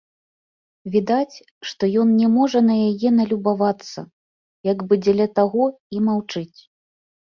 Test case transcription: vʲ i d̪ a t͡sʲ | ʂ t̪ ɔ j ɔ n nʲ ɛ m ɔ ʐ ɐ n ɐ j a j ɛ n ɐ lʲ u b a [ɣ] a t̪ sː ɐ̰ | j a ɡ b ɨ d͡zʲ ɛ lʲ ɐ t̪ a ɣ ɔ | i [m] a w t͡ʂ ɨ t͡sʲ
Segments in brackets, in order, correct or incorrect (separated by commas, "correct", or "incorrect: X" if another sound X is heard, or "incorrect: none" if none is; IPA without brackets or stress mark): incorrect: v, correct